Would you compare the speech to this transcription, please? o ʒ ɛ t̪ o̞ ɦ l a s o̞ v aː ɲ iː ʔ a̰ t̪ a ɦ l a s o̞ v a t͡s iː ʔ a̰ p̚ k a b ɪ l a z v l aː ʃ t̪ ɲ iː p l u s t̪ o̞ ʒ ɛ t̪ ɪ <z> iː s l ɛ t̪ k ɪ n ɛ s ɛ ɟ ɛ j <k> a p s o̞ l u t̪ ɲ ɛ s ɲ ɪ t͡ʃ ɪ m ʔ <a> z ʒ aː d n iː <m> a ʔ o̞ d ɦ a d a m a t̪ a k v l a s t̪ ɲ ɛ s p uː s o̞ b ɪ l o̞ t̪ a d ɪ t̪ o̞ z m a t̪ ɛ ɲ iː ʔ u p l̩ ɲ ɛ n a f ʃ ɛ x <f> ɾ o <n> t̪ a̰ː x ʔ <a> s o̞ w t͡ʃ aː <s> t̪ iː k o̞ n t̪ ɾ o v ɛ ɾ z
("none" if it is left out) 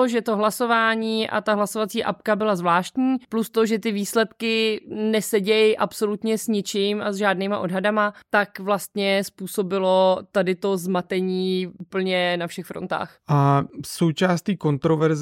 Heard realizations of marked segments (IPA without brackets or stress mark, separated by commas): v, ʔ, a, m, f, n, a, s